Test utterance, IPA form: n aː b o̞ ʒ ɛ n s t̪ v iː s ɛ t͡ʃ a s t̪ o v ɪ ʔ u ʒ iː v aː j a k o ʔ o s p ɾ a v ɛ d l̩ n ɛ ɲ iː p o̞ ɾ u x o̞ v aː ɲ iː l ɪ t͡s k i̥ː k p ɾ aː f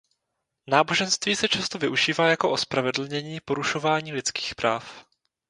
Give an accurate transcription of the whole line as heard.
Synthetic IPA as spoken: n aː b o̞ ʒ ɛ n s t̪ v iː s ɛ t͡ʃ a s t̪ o v ɪ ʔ u ʒ iː v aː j a k o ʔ o s p ɾ a v ɛ d l̩ ɲ ɛ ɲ iː p o̞ ɾ u ʃ o̞ v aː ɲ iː l ɪ t͡s k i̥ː x p ɾ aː f

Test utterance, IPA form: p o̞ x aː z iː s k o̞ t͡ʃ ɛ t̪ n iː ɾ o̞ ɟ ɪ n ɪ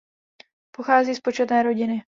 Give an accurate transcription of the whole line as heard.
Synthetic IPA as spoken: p o̞ x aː z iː s p o̞ t͡ʃ ɛ t̪ n ɛː ɾ o̞ ɟ ɪ n ɪ

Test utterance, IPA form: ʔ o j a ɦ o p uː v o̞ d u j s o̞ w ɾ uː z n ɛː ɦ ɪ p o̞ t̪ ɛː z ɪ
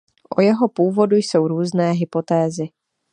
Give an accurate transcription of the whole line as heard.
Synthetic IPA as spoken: ʔ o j ɛ ɦ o p uː v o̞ d u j s o̞ w ɾ uː z n ɛː ɦ ɪ p o̞ t̪ ɛː z ɪ

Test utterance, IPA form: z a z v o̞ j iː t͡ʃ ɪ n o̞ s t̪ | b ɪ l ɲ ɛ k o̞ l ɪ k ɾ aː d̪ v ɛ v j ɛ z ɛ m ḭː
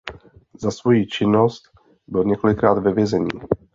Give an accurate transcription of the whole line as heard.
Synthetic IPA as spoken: z a s v o̞ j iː t͡ʃ ɪ n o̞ s t̪ | b ɪ l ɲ ɛ k o̞ l ɪ k ɾ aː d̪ v ɛ v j ɛ z ɛ ɲ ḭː

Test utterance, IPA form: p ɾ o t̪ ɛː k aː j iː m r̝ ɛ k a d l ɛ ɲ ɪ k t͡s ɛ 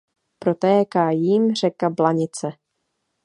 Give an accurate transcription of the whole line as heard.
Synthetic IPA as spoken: p ɾ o t̪ ɛː k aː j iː m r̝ ɛ k a b l a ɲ ɪ t͡s ɛ

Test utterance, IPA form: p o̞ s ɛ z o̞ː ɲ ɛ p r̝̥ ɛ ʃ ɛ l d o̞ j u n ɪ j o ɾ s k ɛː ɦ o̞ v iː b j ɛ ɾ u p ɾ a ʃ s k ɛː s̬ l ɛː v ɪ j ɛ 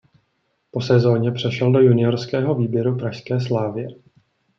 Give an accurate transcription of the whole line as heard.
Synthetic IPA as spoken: p o̞ s ɛ z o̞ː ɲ ɛ p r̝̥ ɛ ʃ ɛ l d o̞ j u n ɪ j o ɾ s k ɛː ɦ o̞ v iː b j ɛ ɾ u p ɾ a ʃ s k ɛː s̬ l aː v ɪ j ɛ

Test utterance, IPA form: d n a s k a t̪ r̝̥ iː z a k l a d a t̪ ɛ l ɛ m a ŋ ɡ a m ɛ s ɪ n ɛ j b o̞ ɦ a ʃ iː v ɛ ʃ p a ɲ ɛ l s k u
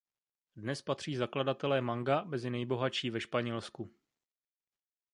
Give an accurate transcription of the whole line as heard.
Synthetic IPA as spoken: d n ɛ s p a t̪ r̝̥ iː z a k l a d a t̪ ɛ l ɛː m a ŋ ɡ a m ɛ z ɪ n ɛ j b o̞ ɦ a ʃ iː v ɛ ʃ p a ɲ ɛ l s k u

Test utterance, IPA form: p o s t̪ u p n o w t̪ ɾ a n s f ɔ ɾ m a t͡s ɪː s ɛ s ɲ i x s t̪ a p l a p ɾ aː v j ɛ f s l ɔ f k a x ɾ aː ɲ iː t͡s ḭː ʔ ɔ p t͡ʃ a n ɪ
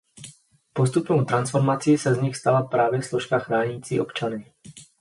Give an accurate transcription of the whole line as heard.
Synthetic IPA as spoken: p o s t̪ u p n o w t̪ ɾ a n s f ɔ ɾ m a t͡s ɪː s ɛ z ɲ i x s t̪ a l a p ɾ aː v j ɛ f s l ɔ ʃ k a x ɾ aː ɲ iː t͡s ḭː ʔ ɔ p t͡ʃ a n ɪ

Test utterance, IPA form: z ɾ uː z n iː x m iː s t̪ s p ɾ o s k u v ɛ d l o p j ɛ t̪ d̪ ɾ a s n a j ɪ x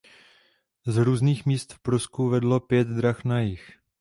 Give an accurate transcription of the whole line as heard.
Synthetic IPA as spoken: z ɾ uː z n iː x m iː s t̪ f p ɾ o s k u v ɛ d l o p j ɛ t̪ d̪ ɾ a x n a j ɪ x

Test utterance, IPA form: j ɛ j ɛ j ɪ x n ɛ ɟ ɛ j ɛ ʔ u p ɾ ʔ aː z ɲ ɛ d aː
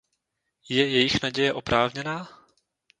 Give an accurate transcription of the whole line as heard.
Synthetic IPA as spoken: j ɛ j ɛ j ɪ x n a ɟ ɛ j ɛ ʔ o p ɾ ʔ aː v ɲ ɛ n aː

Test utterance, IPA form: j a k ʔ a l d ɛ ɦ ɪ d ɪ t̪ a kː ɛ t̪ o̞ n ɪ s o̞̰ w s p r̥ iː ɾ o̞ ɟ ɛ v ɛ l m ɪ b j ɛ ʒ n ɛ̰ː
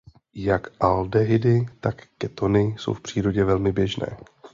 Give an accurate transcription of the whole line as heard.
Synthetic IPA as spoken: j a k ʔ a l d ɛ ɦ ɪ d ɪ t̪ a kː ɛ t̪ o̞ n ɪ s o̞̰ w f p r̥ iː ɾ o̞ ɟ ɛ v ɛ l m ɪ b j ɛ ʒ n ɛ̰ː

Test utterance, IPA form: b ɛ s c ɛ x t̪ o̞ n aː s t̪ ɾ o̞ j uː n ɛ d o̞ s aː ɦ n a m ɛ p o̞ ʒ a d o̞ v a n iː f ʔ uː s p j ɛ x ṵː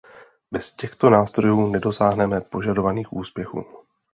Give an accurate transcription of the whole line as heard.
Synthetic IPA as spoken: b ɛ s c ɛ x t̪ o̞ n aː s t̪ ɾ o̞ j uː n ɛ d o̞ s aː ɦ n ɛ m ɛ p o̞ ʒ a d o̞ v a n iː x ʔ uː s p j ɛ x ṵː

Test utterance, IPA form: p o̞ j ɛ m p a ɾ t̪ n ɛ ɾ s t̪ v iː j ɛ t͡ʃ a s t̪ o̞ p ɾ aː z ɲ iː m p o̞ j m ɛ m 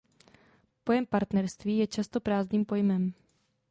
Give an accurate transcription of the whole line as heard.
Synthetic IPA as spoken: p o̞ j ɛ m p a ɾ t̪ n ɛ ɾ s t̪ v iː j ɛ t͡ʃ a s t̪ o̞ p ɾ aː z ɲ iː m p o̞ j m ɛ m

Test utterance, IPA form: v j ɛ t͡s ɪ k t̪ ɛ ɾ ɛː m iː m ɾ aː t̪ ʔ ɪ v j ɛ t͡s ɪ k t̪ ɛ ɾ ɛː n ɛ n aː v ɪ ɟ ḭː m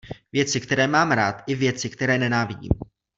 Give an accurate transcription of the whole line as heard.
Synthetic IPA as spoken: v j ɛ t͡s ɪ k t̪ ɛ ɾ ɛː m aː m ɾ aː t̪ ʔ ɪ v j ɛ t͡s ɪ k t̪ ɛ ɾ ɛː n ɛ n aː v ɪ ɟ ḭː m

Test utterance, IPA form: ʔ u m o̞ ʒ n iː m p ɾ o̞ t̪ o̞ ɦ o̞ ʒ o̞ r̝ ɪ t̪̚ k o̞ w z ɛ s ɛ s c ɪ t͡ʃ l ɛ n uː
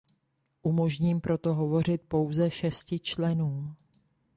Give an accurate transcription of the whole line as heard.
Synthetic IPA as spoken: ʔ u m o̞ ʒ ɲ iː m p ɾ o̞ t̪ o̞ ɦ o̞ v o̞ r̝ ɪ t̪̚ p o̞ w z ɛ ʃ ɛ s c ɪ t͡ʃ l ɛ n uː

